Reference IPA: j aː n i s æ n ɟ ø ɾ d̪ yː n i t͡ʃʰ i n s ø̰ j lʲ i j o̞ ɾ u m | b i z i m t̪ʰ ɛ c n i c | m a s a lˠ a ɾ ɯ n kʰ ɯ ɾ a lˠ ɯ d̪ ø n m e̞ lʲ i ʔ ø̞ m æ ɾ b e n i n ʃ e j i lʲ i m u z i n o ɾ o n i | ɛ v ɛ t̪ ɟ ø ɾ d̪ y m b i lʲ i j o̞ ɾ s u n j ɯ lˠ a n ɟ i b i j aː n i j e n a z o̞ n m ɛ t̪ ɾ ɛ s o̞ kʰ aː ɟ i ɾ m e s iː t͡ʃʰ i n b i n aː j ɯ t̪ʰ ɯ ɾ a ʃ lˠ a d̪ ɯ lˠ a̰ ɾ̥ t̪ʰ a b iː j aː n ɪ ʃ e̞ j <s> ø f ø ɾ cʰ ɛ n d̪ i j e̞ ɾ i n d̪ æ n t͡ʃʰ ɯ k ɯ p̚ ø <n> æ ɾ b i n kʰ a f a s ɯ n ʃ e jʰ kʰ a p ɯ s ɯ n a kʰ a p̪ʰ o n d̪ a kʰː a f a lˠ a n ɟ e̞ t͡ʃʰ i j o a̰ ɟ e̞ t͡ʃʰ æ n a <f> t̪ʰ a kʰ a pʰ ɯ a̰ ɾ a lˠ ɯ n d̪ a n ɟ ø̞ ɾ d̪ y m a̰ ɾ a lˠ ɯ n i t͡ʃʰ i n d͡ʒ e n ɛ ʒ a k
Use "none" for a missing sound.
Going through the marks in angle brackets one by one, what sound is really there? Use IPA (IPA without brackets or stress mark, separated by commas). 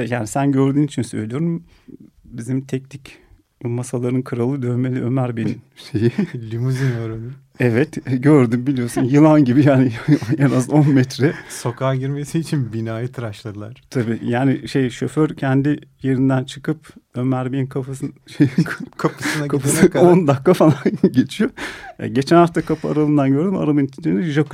ʃ, m, f